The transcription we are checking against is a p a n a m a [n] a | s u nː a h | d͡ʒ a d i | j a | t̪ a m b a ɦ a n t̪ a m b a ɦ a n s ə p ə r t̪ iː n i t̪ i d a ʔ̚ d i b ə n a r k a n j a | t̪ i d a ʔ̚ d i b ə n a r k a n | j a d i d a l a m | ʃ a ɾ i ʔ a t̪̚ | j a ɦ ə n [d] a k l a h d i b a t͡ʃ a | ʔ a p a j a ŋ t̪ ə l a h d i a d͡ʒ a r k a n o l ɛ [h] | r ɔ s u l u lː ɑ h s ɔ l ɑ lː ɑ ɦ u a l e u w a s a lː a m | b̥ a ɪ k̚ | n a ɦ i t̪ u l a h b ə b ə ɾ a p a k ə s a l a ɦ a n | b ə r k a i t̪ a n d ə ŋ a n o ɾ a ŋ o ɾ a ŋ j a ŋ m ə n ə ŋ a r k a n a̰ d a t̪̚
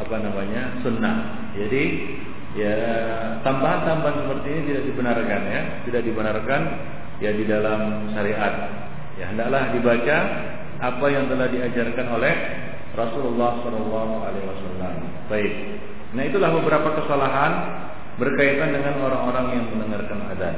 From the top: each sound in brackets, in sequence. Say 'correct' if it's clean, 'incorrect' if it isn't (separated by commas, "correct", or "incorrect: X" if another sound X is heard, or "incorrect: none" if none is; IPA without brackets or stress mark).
incorrect: ɲ, correct, correct